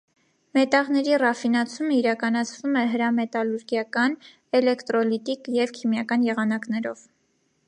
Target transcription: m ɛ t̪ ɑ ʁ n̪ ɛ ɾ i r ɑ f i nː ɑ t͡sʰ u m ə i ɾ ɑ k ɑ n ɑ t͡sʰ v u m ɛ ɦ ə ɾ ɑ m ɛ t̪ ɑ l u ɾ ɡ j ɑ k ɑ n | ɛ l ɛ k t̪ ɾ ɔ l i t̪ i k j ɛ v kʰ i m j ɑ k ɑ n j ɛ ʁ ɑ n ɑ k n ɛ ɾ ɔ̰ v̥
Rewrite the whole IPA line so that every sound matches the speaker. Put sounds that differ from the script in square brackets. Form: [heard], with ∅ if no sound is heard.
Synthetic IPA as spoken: m ɛ t̪ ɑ ʁ n̪ ɛ ɾ i r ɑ f i [n] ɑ t͡sʰ u m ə i ɾ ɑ k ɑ n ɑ t͡sʰ v u m ɛ ɦ ə ɾ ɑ m ɛ t̪ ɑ l u ɾ ɡ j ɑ k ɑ n | ɛ l ɛ k t̪ ɾ ɔ l i t̪ i k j ɛ v kʰ i m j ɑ k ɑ n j ɛ ʁ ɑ n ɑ k n ɛ ɾ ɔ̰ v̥